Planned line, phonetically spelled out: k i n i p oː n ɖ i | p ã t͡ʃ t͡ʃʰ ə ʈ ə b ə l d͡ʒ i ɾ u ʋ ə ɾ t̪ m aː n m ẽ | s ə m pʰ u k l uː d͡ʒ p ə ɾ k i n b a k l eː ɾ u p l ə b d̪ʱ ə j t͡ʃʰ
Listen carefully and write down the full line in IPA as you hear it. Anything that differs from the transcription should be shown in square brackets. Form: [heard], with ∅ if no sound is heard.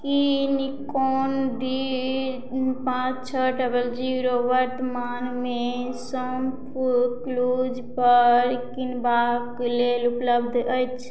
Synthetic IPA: k i n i [k] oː n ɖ i | p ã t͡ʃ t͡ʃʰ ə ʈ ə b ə l d͡ʒ i ɾ [o] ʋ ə ɾ t̪ m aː n m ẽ | s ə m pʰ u k l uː d͡ʒ p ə ɾ k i n b a k l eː [l] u p l ə b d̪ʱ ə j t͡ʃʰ

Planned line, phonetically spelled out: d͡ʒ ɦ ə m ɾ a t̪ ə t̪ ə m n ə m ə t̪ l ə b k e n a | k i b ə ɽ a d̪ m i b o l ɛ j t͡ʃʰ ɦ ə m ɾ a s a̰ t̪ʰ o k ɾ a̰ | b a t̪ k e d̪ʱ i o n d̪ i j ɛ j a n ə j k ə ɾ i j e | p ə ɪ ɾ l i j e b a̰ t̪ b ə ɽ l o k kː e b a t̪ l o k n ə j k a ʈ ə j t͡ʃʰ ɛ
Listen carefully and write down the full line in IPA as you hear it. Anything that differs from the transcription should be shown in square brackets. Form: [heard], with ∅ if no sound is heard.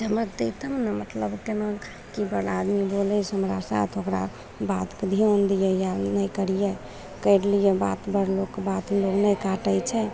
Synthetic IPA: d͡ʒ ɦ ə m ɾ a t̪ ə t̪ ə m n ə m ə t̪ l ə b k e n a | k i b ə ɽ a d̪ m i b o l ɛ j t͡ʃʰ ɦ ə m ɾ a s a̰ t̪ʰ o k ɾ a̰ | b a t̪ k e d̪ʱ i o n d̪ i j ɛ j a n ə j k ə ɾ i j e | [k] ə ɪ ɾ l i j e b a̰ t̪ b ə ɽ l o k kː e b a t̪ l o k n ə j k a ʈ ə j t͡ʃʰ ɛ

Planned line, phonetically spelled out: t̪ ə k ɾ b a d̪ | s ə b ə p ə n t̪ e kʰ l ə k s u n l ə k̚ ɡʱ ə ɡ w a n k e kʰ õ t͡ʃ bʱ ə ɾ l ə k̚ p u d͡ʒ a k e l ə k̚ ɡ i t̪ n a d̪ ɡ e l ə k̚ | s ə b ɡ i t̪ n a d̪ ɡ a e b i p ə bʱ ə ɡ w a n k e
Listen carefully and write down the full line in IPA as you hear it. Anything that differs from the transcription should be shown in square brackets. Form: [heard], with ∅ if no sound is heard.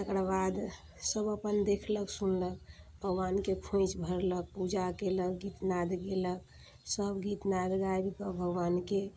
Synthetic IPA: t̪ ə k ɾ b a d̪ | s ə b ə p ə n [d̪] e kʰ l ə k s u n l ə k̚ [bʱ] ə ɡ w a n k e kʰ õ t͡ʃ bʱ ə ɾ l ə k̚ p u d͡ʒ a k e l ə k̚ ɡ i t̪ n a d̪ ɡ e l ə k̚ | s ə b ɡ i t̪ n a d̪ ɡ a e b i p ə bʱ ə ɡ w a n k e

